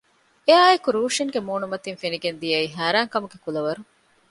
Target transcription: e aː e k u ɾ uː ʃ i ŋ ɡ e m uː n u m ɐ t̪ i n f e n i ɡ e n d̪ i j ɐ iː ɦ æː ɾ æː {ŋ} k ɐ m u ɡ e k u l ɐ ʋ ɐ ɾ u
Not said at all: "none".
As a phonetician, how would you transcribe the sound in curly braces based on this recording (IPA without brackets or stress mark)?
ŋ